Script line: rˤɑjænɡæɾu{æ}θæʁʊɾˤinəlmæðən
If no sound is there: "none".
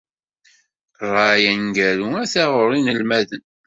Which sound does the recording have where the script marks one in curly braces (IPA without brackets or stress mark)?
æ